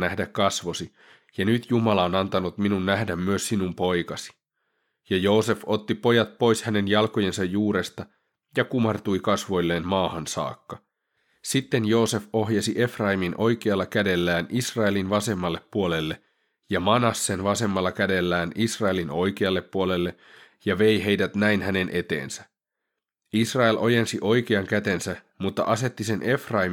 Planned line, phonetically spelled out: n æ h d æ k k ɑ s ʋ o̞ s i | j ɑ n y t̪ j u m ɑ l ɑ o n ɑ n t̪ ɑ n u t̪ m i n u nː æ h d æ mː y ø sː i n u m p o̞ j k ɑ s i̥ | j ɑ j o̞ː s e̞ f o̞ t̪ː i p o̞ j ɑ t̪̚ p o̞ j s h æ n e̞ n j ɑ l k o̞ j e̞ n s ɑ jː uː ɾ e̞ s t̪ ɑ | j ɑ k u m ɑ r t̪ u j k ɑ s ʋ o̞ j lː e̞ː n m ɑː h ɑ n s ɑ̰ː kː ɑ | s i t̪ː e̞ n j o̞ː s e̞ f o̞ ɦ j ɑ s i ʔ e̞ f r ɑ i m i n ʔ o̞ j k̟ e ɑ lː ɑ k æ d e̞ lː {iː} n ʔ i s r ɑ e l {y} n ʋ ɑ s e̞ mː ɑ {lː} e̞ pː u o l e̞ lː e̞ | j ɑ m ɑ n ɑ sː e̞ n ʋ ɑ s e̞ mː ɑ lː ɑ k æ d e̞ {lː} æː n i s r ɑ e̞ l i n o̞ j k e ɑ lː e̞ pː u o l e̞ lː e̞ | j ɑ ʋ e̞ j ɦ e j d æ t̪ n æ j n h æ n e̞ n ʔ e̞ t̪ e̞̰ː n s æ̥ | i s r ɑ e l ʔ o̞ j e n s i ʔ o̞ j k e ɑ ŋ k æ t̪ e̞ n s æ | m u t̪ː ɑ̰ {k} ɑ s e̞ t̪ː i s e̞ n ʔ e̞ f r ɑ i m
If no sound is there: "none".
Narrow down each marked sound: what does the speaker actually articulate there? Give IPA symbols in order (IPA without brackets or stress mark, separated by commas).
æː, i, lː, lː, ʔ